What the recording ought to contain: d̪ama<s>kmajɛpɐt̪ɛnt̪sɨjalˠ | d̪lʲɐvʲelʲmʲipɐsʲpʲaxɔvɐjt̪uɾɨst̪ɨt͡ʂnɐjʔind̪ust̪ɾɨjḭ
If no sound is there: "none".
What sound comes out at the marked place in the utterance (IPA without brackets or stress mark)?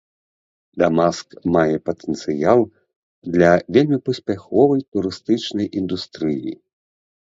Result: s